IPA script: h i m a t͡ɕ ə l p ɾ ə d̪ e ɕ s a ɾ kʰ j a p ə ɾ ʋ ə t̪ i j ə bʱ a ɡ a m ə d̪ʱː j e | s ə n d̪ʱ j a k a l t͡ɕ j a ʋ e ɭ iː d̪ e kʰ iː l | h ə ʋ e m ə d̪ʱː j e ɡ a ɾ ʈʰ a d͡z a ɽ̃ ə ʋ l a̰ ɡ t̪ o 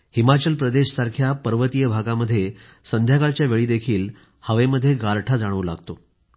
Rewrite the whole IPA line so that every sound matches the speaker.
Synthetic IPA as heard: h i m a t͡ɕ ə l p ɾ ə d̪ e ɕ s a ɾ kʰ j a p ə ɾ ʋ ə t̪ i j ə bʱ a ɡ a m ə d̪ʱː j e | s ə n d̪ʱ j a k a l t͡ɕ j a ʋ e ɭ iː d̪ e kʰ iː l | h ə ʋ e m ə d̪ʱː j e ɡ a ɾ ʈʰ a d͡z a ɽ̃ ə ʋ l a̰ ɡ t̪ o